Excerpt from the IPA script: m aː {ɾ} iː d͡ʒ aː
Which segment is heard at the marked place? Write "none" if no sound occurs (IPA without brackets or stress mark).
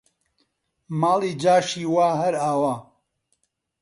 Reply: l